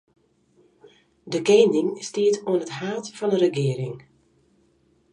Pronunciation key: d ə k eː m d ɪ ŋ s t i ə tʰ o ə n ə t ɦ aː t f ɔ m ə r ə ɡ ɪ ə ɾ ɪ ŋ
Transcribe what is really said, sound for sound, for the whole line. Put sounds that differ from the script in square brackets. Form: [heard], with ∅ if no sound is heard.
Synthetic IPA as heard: d ə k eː [n] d ɪ ŋ s t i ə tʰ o ə n ə t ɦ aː t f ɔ [n] ə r ə ɡ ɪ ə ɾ ɪ ŋ